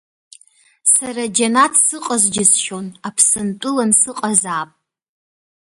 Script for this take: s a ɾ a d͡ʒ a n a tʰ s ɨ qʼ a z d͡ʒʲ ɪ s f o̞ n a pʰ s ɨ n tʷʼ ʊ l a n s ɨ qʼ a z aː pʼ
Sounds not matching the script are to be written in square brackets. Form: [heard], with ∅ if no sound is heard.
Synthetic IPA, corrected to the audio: s a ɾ a d͡ʒ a n a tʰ s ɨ qʼ a z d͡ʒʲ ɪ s [ʃ] o̞ n a pʰ s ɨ n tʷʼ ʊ l a n s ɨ qʼ a z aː pʼ